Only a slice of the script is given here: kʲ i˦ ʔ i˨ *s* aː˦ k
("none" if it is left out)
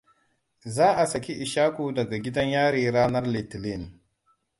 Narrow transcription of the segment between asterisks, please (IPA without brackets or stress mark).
ʃ